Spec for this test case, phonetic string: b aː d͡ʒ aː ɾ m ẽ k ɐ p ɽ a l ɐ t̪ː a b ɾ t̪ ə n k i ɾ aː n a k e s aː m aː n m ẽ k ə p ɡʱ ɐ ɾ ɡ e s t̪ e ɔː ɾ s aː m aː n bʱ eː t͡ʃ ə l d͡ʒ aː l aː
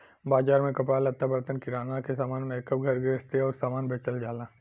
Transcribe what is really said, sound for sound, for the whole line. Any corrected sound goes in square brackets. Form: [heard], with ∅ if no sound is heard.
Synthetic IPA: b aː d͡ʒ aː ɾ m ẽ k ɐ p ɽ a l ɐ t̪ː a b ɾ t̪ ə n k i ɾ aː n a k e s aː m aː n m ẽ k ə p ɡʱ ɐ ɾ ɡ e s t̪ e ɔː ɾ s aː m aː n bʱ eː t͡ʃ ə l d͡ʒ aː l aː